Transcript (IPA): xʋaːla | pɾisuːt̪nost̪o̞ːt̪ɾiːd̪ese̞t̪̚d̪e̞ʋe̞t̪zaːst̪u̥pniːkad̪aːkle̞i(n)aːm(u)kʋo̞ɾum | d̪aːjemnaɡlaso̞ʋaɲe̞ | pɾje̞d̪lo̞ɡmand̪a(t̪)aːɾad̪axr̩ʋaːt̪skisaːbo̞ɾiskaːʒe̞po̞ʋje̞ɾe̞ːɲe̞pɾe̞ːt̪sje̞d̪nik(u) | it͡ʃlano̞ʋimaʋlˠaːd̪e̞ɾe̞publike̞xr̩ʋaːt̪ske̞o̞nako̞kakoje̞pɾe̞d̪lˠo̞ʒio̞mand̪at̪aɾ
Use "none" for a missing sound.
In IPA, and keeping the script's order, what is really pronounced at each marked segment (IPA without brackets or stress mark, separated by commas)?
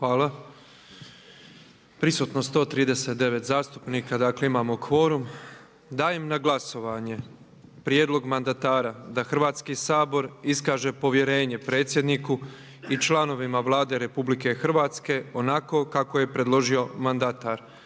m, o, t̪, u